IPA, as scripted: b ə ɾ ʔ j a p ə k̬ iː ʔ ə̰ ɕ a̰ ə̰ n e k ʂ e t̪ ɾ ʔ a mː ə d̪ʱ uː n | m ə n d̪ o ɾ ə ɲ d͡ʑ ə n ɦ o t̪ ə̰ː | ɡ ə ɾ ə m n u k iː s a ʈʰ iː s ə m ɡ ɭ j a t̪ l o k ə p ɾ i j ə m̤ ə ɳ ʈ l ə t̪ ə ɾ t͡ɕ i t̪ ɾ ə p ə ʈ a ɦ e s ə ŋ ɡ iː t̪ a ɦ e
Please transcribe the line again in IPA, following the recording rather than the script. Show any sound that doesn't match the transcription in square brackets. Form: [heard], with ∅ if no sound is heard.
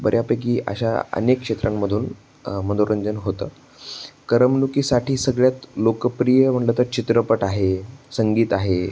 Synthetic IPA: b ə ɾ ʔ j a p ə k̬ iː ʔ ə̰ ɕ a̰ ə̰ n e k ʂ e t̪ ɾ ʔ a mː ə d̪ʱ uː n | m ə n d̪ o ɾ ə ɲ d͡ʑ ə n ɦ o t̪ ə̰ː | [k] ə ɾ ə m n u k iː s a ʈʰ iː s ə [∅] ɡ ɭ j a t̪ l o k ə p ɾ i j ə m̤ ə ɳ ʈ l ə t̪ ə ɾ t͡ɕ i t̪ ɾ ə p ə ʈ a ɦ e s ə ŋ ɡ iː t̪ a ɦ e